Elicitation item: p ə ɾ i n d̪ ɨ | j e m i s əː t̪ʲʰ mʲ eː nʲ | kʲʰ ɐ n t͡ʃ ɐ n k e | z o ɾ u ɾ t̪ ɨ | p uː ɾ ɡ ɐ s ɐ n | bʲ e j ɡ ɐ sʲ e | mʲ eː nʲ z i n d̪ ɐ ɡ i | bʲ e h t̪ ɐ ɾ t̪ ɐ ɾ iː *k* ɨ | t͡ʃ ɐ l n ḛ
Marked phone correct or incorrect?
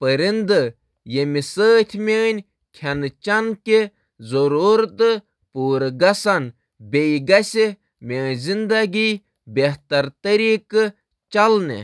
correct